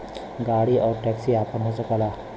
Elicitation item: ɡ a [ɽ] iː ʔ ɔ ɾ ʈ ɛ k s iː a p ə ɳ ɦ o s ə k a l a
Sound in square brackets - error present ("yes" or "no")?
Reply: no